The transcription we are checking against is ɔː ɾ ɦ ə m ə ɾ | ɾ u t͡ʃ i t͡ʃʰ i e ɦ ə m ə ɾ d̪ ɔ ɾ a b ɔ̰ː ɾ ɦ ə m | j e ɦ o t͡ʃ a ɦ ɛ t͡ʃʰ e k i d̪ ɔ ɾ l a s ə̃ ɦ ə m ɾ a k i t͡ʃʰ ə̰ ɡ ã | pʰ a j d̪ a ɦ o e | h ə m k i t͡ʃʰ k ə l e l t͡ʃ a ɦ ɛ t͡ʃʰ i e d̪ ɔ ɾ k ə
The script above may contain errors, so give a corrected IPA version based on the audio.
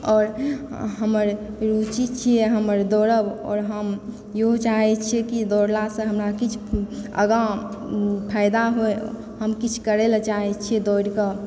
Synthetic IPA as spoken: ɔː ɾ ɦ ə m ə ɾ | ɾ u t͡ʃ i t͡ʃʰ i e ɦ ə m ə ɾ d̪ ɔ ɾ ə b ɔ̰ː ɾ ɦ ə m | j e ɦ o t͡ʃ a ɦ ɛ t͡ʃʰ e k i d̪ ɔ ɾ l a s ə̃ ɦ ə m ɾ a k i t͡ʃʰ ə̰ ɡ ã | pʰ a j d̪ a ɦ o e | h ə m k i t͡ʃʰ k ə ɾ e l t͡ʃ a ɦ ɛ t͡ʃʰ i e d̪ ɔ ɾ k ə